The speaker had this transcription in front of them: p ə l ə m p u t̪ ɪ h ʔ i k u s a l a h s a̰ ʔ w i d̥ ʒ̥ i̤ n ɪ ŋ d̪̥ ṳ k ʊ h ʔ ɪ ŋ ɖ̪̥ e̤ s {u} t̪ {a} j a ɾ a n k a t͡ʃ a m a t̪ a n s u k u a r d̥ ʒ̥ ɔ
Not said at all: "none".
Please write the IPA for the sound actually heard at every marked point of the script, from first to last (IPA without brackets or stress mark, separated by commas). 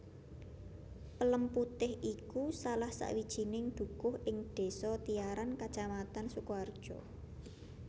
ɔ, i